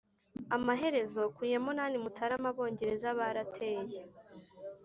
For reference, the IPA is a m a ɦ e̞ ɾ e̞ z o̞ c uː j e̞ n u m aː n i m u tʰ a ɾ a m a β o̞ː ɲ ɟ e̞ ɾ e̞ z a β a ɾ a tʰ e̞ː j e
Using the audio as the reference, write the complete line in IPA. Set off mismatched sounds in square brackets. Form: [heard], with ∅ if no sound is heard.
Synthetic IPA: a m a ɦ e̞ ɾ e̞ z o̞ [k] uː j e̞ [m] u [n] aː n i m u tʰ a ɾ a m a β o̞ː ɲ ɟ e̞ ɾ e̞ z a β a ɾ a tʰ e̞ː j e